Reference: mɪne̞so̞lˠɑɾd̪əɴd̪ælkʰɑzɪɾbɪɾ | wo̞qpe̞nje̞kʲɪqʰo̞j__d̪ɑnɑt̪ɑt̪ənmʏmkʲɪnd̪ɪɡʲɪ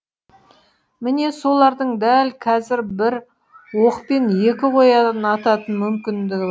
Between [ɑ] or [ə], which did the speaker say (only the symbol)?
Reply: ɑ